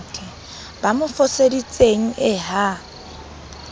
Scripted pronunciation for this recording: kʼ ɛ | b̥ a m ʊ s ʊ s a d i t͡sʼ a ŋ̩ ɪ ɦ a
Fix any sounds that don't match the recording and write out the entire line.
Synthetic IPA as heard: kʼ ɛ | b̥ a m ʊ f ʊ s e d i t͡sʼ e ŋ̩ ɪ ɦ a